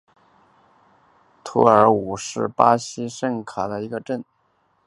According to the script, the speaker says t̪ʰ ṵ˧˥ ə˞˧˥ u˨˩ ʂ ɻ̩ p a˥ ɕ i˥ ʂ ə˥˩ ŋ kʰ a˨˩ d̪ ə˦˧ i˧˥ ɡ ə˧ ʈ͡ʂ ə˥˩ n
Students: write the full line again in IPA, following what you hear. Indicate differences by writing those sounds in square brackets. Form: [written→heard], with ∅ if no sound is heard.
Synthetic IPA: t̪ʰ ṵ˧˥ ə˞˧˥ u˨˩ ʂ ɻ̩ p a˥ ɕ i˥ ʂ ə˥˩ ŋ kʰ a˨˩ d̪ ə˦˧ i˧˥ ɡ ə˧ ʈ͡ʂ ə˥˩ n